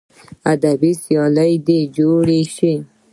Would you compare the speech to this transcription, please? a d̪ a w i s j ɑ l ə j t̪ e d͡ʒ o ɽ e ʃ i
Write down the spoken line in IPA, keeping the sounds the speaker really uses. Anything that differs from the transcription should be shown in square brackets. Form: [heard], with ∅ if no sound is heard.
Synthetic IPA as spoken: a d̪ a [b] i s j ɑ l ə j [d̪] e d͡ʒ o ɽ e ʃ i